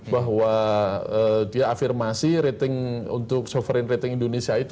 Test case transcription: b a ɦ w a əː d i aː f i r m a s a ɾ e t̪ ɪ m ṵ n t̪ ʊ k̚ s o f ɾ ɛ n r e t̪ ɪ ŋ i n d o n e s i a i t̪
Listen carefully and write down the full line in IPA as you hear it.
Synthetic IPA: b a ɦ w a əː d i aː f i r m a s i ɾ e t̪ ɪ ŋ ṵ n t̪ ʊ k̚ s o f ɾ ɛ n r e t̪ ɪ ŋ i n d o n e s i a i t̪